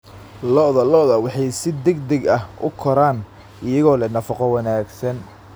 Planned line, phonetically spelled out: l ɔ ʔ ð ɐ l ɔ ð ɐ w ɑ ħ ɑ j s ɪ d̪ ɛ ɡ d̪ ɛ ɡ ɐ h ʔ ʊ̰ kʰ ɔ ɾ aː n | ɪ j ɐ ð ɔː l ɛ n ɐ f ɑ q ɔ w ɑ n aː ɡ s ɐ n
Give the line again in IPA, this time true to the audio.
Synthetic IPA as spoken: l ɔ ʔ ð ɐ l ɔ ð ɐ w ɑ ħ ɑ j s ɪ d̪ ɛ ɡ d̪ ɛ ɡ ɐ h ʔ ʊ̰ kʰ ɔ ɾ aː n | ɪ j ɐ ɣ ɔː l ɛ n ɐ f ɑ q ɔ w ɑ n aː ɡ s ɐ n